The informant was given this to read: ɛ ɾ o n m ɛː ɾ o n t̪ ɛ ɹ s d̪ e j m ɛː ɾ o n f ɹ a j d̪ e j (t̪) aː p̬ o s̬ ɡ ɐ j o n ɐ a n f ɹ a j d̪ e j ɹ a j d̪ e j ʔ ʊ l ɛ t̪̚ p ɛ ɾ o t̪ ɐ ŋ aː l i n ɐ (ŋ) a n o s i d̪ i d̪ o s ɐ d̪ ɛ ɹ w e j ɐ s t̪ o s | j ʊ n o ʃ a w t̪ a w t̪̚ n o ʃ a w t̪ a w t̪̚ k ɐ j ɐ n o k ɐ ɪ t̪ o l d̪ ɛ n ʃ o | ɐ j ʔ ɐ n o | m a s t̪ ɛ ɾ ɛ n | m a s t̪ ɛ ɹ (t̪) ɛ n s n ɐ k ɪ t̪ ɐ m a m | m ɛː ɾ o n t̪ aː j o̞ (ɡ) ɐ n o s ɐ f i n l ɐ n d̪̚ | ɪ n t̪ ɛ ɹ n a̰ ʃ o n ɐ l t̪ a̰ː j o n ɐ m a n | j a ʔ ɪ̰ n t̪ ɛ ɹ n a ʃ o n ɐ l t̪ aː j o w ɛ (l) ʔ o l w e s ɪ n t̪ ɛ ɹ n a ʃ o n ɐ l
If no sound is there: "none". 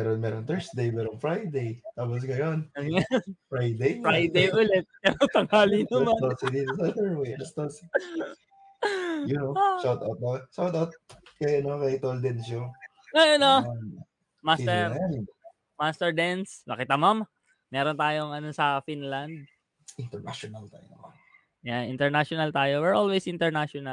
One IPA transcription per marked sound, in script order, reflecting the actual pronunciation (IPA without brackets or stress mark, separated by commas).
t̪, m, d̪, ŋ, ɹ